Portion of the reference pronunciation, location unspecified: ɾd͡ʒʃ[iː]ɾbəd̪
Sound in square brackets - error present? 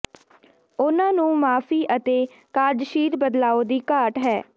no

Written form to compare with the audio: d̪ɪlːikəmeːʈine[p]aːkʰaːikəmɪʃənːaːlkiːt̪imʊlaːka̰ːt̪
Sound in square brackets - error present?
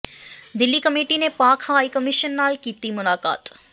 no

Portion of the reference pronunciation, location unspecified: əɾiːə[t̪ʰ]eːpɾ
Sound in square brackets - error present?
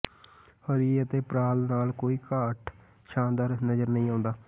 yes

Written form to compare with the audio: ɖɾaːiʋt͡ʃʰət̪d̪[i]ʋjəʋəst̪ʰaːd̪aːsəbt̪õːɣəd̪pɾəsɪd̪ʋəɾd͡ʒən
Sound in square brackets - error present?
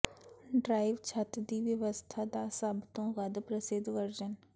yes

